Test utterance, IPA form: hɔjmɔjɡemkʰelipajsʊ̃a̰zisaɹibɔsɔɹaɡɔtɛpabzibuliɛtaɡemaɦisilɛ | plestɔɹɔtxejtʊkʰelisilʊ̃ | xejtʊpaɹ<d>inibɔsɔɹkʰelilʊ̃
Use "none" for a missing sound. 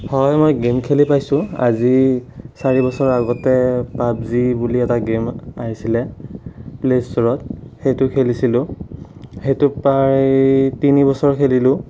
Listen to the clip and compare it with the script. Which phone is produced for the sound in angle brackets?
t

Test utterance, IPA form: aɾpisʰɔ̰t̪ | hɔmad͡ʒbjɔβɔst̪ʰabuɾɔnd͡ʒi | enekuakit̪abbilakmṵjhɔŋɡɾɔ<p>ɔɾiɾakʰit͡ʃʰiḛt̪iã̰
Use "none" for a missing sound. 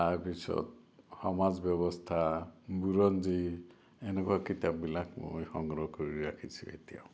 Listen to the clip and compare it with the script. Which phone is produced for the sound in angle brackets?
k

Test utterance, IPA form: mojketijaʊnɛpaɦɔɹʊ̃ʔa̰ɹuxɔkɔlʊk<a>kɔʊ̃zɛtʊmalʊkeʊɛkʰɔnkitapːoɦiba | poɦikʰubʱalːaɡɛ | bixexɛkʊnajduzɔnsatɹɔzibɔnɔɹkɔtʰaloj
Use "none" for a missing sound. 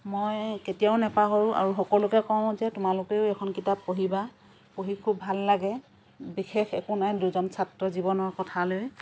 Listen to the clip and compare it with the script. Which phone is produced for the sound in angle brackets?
ɛ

